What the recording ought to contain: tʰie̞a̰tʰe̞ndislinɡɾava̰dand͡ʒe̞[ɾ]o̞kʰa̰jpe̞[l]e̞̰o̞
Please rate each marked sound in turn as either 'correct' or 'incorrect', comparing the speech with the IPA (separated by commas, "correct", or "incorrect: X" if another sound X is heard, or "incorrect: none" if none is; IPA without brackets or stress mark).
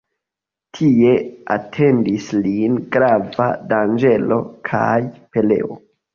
incorrect: l, correct